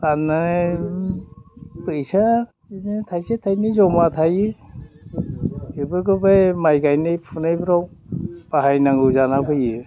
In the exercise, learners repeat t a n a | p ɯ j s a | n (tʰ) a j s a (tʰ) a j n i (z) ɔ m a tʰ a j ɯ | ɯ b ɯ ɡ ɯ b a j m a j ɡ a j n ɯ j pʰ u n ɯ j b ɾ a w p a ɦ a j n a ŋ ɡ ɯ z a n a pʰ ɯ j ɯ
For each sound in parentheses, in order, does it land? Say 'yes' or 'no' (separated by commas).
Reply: yes, yes, yes